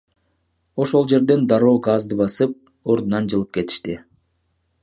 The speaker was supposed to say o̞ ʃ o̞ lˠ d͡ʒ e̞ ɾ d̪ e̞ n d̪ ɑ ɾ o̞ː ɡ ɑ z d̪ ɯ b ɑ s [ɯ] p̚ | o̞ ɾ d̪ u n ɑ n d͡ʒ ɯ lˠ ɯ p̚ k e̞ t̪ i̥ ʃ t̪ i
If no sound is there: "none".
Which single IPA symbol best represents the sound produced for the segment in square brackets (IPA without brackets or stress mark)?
ɯ